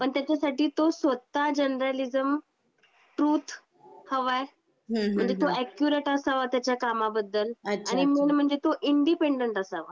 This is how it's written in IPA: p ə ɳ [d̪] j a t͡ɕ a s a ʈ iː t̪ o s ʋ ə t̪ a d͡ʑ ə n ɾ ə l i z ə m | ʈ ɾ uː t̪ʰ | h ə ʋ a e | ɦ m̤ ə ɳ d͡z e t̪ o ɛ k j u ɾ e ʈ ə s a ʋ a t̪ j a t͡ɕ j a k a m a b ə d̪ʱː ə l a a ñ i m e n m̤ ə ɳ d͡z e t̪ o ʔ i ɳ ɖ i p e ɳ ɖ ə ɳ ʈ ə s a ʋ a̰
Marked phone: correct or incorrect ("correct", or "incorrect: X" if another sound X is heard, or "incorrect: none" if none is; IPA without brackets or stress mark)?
incorrect: t̪